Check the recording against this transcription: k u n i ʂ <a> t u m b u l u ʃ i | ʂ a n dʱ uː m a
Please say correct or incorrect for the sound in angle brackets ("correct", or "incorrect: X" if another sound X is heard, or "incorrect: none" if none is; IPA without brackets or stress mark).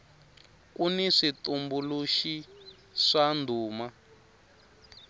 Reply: incorrect: i